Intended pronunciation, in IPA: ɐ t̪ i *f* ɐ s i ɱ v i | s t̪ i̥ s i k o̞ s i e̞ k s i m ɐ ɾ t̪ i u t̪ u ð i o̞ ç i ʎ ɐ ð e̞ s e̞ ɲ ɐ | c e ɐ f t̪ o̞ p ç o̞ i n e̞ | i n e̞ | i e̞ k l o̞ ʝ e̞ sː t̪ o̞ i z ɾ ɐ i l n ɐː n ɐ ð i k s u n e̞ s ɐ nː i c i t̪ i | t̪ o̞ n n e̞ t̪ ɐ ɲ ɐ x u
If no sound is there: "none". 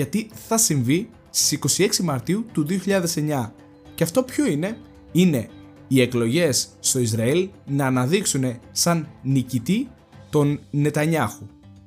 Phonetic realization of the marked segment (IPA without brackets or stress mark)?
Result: θ